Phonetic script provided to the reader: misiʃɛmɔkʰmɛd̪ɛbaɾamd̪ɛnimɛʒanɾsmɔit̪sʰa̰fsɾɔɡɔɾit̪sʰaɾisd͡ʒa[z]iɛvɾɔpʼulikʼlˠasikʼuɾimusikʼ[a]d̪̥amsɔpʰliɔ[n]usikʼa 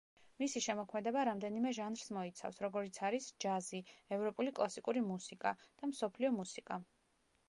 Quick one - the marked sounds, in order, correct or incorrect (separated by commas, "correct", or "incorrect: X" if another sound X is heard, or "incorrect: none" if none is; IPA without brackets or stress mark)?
correct, correct, incorrect: m